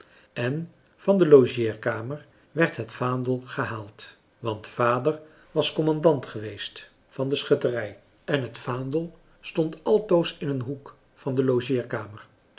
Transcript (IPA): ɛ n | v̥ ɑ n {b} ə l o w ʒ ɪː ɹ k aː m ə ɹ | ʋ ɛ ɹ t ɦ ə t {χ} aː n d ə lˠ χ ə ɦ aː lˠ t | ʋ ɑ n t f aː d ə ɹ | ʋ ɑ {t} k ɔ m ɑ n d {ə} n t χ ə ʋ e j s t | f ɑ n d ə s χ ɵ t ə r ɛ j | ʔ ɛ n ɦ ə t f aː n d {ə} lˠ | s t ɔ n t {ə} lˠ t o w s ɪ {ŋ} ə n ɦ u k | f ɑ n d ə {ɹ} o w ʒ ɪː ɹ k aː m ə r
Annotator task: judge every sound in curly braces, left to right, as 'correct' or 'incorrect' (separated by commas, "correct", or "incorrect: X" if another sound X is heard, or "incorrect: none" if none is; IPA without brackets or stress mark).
incorrect: d, incorrect: f, incorrect: s, incorrect: ɑ, correct, incorrect: ɑ, incorrect: n, incorrect: l